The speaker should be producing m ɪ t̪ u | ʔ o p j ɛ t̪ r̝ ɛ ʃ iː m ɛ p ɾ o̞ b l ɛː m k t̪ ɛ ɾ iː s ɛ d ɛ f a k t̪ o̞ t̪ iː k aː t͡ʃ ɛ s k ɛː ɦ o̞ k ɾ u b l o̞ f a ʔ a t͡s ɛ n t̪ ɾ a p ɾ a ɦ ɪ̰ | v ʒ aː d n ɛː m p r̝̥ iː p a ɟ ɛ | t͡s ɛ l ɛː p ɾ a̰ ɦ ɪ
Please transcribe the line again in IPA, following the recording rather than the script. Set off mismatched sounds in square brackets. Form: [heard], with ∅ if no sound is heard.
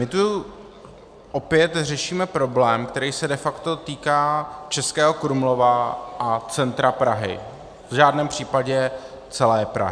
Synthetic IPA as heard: m ɪ t̪ u | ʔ o p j ɛ t̪ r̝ ɛ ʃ iː m ɛ p ɾ o̞ b l ɛː m k t̪ ɛ ɾ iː s ɛ d ɛ f a k t̪ o̞ t̪ iː k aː t͡ʃ ɛ s k ɛː ɦ o̞ k ɾ u [m] l o̞ [v] a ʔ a t͡s ɛ n t̪ ɾ a p ɾ a ɦ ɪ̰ | v ʒ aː d n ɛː m p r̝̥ iː p a ɟ ɛ | t͡s ɛ l ɛː p ɾ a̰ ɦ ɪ